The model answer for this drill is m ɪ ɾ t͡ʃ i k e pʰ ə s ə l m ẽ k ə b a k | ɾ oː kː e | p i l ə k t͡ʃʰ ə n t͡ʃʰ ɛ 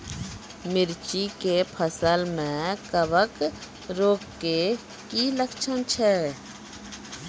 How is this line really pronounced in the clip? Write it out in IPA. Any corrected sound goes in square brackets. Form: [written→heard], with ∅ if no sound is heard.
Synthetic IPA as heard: m ɪ ɾ t͡ʃ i k e pʰ ə s ə l m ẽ k ə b [a→ə] k | ɾ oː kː e | [p→k] i l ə k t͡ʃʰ ə n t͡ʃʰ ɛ